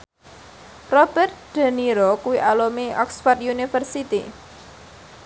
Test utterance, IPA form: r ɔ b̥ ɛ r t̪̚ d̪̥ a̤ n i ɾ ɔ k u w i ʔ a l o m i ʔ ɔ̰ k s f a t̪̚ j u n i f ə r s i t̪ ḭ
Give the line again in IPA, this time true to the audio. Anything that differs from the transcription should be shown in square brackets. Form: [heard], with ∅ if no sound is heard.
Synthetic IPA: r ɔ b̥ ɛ r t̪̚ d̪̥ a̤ n i ɾ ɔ k u w i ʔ a l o m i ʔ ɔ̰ k s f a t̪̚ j u n i f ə r s i t̪ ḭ